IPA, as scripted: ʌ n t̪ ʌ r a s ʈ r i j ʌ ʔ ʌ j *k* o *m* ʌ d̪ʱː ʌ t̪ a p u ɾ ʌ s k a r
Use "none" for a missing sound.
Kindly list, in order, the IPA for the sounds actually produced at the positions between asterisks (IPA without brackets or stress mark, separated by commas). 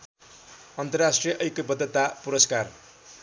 k, b